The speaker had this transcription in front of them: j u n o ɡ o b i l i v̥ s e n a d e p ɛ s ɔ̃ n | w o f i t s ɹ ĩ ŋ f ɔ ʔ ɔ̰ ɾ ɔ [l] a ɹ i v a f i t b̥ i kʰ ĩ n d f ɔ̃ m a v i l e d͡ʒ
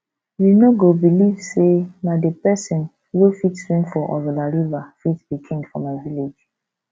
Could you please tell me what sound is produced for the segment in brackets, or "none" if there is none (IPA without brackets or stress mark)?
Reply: l